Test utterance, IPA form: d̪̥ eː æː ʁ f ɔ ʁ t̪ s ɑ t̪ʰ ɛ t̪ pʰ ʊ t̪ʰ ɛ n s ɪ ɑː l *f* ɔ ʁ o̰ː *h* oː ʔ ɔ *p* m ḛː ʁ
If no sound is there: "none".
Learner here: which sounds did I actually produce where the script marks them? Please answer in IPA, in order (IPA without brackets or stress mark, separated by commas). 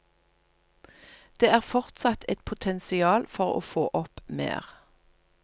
f, f, p